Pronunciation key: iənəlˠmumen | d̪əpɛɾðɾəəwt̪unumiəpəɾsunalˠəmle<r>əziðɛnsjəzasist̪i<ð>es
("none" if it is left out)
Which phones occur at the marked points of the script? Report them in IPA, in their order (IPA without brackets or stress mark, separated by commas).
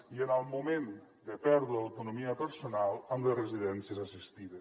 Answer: r, ð